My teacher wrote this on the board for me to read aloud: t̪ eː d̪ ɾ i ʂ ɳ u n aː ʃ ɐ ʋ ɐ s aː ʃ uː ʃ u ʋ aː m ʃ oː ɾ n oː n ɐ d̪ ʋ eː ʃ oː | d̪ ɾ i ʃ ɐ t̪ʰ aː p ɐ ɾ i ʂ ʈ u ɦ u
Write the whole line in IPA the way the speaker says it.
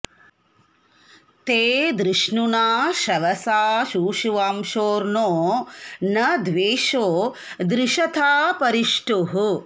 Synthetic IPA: t̪ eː d̪ ɾ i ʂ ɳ u n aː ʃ ɐ ʋ ɐ s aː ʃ uː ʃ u ʋ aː m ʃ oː ɾ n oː n ɐ d̪ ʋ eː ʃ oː | d̪ ɾ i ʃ ɐ t̪ʰ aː p ɐ ɾ i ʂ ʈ u ɦ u